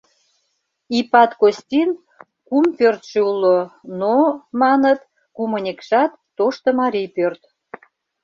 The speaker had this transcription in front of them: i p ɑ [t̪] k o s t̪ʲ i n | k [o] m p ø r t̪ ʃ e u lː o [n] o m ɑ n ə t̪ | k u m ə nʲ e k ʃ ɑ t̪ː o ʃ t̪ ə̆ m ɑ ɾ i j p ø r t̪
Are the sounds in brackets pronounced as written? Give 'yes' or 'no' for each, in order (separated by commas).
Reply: yes, no, yes